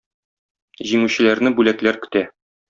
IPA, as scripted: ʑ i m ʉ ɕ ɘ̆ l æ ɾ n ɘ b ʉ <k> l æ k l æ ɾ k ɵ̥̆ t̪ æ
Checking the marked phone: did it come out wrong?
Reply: yes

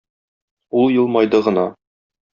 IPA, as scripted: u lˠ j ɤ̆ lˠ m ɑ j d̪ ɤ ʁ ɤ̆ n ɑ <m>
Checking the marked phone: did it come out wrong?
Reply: yes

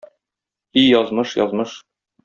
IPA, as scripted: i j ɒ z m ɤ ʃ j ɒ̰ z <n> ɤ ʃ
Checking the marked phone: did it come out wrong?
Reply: yes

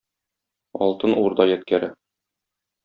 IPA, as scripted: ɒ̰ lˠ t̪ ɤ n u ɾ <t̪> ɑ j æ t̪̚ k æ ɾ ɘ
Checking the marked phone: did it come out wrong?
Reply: yes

